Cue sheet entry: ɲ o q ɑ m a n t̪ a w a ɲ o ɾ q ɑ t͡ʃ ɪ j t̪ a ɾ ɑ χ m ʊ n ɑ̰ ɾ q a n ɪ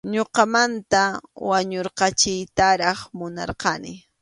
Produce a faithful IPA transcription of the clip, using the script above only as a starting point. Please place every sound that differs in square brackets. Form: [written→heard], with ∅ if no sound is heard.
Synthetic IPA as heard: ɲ o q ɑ m a n t̪ a w a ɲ o ɾ q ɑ t͡ʃ ɪ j t̪ a ɾ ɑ χ m ʊ n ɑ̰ ɾ q [a→ɑ] n ɪ